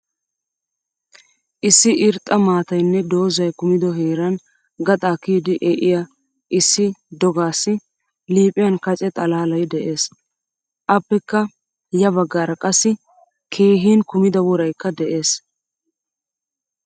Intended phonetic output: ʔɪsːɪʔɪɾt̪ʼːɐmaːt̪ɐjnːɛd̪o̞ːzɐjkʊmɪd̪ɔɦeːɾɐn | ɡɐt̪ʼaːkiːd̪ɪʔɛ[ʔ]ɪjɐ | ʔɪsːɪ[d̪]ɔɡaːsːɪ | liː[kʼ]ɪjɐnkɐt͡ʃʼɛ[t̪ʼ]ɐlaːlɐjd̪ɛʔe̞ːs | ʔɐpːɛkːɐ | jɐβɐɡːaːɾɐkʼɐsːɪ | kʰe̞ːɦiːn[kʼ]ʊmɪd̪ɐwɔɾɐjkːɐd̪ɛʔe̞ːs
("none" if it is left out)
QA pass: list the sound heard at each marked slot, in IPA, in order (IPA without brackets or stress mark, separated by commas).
ʔ, d̪, pʼ, t̪ʼ, k